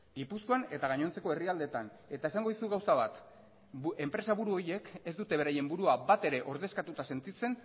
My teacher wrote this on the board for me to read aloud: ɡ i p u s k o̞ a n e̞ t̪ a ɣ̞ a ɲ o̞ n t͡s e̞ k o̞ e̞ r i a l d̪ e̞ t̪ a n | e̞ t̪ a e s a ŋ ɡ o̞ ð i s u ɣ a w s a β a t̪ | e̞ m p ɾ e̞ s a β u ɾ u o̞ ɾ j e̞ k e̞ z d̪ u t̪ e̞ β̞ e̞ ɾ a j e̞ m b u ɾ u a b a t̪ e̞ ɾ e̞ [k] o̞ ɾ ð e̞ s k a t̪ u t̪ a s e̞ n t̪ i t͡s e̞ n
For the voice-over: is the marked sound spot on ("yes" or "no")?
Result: no